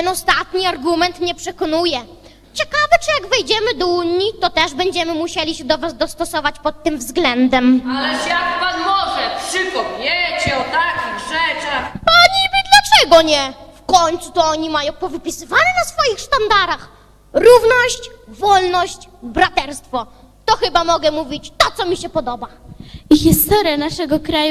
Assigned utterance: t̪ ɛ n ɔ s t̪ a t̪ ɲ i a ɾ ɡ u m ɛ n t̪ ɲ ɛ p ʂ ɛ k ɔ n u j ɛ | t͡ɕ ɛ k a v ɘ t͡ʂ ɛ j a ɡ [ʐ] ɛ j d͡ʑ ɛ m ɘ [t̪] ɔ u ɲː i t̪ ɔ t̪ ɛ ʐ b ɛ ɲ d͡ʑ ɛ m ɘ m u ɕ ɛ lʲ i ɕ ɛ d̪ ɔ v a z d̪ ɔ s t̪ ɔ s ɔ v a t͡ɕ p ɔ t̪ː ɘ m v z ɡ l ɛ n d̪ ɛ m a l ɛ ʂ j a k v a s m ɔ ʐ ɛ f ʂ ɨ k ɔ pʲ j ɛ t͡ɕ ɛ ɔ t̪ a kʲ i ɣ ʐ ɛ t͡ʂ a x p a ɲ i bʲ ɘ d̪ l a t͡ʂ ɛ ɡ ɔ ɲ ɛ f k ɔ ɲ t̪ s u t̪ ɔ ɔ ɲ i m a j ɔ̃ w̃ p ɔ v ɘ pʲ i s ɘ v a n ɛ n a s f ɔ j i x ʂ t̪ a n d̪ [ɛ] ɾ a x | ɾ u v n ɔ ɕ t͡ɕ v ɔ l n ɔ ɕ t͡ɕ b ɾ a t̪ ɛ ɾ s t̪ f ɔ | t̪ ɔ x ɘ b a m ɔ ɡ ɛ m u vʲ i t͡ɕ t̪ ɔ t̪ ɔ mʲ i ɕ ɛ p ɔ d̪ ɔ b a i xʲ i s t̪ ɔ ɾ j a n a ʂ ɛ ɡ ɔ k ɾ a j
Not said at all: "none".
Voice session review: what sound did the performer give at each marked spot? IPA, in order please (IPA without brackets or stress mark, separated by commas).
v, d̪, a